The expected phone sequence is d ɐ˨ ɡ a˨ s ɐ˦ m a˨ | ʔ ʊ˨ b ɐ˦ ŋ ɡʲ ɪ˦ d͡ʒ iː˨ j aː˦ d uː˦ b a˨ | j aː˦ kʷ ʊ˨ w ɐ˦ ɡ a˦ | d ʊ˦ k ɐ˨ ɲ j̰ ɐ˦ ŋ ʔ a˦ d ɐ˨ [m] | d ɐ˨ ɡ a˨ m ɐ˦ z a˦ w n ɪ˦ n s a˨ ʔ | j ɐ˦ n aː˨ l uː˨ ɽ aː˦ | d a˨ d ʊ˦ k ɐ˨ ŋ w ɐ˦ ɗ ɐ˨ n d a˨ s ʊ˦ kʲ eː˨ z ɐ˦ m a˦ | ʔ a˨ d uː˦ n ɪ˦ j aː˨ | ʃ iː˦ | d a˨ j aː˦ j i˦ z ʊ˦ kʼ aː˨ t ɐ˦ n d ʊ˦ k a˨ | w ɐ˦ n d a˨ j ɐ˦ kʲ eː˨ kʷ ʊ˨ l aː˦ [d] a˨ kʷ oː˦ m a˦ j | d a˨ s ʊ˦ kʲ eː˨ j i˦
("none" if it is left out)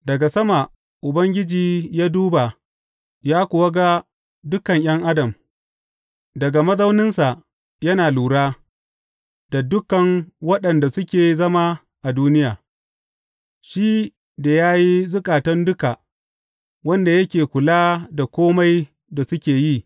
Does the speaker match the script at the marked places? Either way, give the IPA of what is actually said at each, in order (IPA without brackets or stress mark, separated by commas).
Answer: m, d